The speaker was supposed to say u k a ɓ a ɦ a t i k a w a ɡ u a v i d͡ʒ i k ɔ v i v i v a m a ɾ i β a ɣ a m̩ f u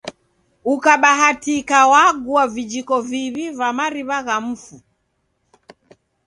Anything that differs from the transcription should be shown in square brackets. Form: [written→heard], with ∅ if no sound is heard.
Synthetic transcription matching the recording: u k a ɓ a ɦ a t i k a w a ɡ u a v i d͡ʒ i k ɔ v i [v→β] i v a m a ɾ i β a ɣ a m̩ f u